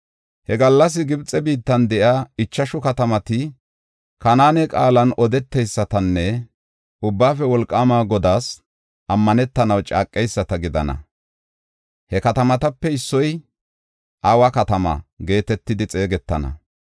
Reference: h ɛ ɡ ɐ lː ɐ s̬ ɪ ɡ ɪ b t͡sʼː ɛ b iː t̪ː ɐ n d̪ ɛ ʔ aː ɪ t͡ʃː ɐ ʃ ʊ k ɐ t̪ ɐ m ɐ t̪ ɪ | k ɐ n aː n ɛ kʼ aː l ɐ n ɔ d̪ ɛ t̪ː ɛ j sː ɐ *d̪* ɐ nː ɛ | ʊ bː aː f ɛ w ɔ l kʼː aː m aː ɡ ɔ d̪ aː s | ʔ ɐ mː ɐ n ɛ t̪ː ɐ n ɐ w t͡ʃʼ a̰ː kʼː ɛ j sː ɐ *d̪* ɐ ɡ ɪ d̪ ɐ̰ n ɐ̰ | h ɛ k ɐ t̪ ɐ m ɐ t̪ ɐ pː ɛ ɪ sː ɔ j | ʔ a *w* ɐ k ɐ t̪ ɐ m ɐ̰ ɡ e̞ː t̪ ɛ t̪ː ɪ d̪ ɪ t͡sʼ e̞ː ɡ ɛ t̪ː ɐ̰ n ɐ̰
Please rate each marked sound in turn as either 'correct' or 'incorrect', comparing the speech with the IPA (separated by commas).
incorrect, incorrect, correct